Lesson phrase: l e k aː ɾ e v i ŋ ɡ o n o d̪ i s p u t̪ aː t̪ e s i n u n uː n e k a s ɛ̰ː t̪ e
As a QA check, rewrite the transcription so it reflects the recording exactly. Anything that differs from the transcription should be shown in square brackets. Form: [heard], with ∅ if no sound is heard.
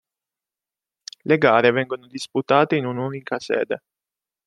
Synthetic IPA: l e [ɡ] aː ɾ e v [ɛ] ŋ ɡ o n o d̪ i s p u t̪ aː t̪ e [∅] i n u n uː n [i] k a s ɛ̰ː [d̪] e